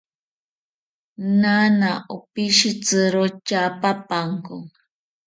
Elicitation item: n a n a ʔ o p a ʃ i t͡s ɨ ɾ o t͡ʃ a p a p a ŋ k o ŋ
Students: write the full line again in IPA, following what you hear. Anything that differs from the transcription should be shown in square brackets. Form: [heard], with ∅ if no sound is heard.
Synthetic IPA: n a n a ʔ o p [i] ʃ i t͡s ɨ ɾ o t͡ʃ a p a p a ŋ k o ŋ